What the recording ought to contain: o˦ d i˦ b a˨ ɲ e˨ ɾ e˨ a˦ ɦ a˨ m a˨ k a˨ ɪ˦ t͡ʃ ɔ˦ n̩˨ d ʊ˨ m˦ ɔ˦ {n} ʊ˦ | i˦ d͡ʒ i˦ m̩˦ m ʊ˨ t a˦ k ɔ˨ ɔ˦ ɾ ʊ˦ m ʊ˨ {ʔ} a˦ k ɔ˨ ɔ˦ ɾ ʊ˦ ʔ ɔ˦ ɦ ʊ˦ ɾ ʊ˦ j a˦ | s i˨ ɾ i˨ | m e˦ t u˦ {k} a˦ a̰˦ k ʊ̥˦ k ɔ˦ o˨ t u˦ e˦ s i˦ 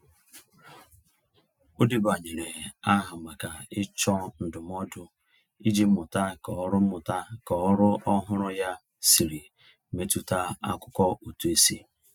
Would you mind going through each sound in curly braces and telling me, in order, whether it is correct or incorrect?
incorrect: d, incorrect: t, incorrect: t

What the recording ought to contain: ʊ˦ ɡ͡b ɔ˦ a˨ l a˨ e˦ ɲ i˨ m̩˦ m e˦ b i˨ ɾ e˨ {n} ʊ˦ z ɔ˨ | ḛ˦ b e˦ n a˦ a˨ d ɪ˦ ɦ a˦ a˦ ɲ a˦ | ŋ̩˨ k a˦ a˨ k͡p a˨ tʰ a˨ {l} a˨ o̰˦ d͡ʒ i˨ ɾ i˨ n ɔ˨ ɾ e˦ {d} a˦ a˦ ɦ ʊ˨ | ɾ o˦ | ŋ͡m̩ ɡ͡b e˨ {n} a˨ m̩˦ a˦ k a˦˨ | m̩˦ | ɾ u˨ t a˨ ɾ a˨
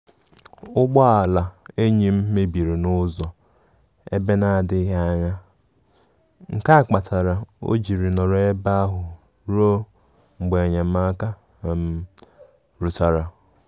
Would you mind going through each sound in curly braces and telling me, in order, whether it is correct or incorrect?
correct, incorrect: ɾ, incorrect: b, incorrect: ɲ

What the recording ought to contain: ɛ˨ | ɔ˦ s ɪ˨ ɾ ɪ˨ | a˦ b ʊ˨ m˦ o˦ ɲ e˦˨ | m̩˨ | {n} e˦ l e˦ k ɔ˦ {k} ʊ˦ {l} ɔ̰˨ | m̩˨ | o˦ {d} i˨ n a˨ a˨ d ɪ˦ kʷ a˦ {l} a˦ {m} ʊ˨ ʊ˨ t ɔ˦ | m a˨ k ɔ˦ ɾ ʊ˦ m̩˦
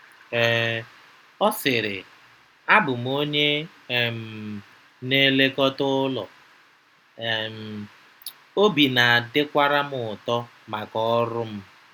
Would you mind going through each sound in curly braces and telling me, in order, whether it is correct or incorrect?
correct, incorrect: t, correct, incorrect: b, incorrect: ɾ, correct

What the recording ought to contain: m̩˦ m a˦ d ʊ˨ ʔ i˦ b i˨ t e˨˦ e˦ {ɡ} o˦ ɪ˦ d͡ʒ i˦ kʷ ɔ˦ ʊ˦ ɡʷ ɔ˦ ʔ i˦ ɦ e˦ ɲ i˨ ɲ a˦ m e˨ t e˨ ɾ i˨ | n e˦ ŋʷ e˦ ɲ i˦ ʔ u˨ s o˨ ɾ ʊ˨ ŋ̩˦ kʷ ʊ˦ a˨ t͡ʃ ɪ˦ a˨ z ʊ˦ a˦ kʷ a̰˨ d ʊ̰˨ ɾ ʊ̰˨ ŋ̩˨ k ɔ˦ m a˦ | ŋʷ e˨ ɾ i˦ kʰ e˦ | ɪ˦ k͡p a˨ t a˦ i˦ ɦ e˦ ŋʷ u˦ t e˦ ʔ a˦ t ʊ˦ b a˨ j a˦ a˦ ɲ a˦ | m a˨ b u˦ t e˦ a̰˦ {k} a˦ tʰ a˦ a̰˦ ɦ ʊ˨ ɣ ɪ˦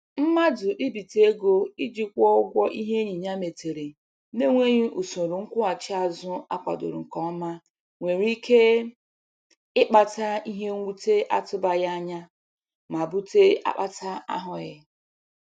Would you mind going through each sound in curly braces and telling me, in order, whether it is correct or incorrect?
correct, incorrect: k͡p

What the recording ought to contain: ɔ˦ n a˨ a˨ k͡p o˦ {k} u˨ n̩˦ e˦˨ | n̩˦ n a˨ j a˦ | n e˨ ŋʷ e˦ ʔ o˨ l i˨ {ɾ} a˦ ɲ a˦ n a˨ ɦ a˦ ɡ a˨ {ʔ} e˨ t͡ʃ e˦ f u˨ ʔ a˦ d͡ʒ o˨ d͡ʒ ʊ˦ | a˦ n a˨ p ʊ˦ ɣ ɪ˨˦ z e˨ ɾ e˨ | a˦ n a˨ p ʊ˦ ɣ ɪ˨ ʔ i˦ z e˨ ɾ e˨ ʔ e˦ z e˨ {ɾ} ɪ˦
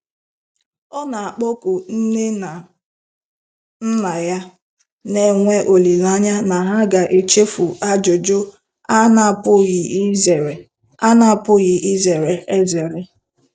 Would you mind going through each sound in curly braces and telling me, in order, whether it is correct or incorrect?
correct, incorrect: l, correct, correct

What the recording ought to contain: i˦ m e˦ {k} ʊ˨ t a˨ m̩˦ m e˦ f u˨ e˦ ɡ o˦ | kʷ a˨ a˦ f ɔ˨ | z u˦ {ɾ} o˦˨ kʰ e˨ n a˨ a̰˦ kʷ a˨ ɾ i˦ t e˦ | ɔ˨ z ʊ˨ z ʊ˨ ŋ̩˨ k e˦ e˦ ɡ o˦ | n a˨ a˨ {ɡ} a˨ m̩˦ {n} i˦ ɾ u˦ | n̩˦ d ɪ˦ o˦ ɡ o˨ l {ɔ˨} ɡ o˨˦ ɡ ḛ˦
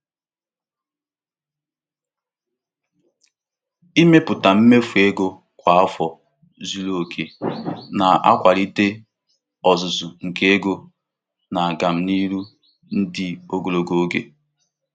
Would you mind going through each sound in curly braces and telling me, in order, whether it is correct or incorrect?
incorrect: p, incorrect: l, correct, correct, incorrect: o˨

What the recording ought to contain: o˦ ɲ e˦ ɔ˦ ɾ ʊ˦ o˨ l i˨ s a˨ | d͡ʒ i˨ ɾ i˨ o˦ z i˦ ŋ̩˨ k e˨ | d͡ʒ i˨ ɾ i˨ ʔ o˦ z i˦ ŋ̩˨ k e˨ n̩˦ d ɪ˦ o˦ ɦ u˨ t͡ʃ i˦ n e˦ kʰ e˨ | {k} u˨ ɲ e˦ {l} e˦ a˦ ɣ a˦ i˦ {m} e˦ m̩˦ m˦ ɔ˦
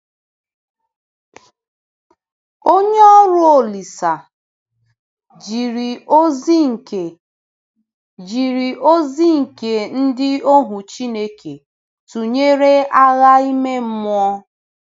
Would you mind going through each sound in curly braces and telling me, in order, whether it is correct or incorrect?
incorrect: t, incorrect: ɾ, correct

